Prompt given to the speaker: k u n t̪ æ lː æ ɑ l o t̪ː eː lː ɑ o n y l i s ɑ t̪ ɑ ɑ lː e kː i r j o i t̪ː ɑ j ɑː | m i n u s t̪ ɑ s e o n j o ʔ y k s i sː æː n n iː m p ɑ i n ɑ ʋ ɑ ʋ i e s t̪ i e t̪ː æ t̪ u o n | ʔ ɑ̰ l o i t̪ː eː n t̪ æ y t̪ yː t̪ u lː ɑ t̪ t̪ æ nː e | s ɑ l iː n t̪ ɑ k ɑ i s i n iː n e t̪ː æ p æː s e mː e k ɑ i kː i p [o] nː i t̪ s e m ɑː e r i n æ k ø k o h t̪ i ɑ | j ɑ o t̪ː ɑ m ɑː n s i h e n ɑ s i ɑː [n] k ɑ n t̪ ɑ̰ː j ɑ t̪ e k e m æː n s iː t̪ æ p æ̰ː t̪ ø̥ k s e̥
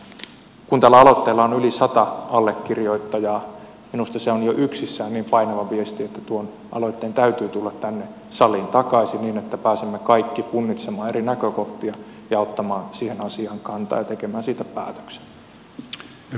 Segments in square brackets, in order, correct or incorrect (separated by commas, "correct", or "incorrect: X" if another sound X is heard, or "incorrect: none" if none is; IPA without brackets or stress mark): incorrect: u, incorrect: ŋ